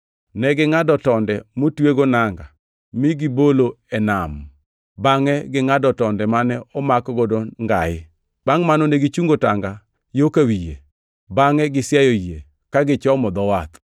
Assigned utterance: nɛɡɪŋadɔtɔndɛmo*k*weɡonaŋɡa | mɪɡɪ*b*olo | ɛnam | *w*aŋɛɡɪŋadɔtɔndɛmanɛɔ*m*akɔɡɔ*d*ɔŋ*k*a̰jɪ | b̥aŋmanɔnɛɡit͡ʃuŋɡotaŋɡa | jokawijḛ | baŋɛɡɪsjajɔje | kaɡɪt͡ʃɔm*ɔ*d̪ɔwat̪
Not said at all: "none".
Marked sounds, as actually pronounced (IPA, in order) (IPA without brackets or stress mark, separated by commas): t, b, b, m, d, ɡ, ɔ